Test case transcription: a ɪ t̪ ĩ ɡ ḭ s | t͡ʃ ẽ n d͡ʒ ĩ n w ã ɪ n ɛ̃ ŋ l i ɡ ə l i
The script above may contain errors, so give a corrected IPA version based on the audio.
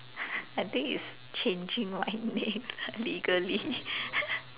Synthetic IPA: a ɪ t̪ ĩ ŋ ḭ s | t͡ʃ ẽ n d͡ʒ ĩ ŋ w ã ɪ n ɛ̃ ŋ l i ɡ ə l i